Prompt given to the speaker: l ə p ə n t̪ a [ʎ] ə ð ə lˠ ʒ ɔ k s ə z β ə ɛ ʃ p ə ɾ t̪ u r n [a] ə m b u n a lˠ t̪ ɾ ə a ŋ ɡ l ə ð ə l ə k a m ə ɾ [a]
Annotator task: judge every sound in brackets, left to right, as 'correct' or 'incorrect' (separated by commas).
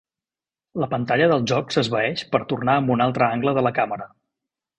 correct, correct, incorrect